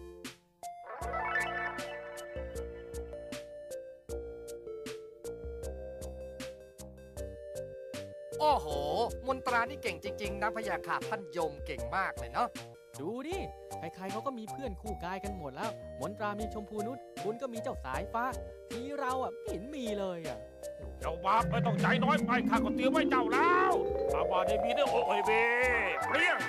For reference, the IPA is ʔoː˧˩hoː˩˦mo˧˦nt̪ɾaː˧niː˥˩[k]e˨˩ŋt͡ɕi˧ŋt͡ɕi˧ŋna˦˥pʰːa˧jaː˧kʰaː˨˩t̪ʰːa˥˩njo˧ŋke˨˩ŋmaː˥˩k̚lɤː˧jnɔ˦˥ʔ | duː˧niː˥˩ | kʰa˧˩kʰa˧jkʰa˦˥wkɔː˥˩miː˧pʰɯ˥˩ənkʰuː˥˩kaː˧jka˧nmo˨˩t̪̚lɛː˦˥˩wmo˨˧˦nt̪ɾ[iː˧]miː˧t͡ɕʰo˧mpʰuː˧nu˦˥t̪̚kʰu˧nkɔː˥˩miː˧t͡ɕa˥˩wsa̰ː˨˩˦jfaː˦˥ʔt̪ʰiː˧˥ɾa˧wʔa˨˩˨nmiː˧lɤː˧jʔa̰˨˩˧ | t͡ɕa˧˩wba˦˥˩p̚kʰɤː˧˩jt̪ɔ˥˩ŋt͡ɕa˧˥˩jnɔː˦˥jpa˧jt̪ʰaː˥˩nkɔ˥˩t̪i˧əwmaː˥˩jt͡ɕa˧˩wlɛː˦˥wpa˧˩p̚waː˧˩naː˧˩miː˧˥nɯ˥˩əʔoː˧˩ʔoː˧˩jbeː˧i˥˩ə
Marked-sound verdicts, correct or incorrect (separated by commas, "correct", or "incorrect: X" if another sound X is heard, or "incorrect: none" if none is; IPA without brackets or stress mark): correct, incorrect: aː˧